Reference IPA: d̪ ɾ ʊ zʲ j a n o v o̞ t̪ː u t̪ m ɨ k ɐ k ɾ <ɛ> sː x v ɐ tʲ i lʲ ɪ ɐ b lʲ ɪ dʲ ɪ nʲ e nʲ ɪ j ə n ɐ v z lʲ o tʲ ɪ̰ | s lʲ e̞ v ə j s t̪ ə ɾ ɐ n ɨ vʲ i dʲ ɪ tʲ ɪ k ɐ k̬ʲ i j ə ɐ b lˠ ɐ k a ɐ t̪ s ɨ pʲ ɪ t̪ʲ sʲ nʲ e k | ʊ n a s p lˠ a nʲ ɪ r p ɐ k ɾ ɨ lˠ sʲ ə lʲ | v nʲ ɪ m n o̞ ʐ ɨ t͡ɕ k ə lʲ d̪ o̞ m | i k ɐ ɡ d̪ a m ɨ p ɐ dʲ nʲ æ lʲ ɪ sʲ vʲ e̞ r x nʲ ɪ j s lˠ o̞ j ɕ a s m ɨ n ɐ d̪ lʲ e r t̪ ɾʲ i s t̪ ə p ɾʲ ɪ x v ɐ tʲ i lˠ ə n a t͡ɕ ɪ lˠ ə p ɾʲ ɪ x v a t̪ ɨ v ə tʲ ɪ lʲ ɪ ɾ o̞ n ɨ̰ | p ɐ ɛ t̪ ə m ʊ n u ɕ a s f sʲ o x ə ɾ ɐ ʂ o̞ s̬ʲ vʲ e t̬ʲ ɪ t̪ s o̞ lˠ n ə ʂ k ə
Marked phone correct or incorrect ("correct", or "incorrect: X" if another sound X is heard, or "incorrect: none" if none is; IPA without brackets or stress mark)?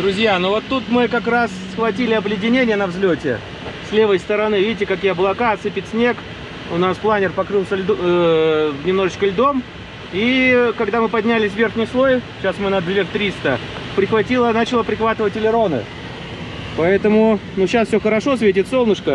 incorrect: a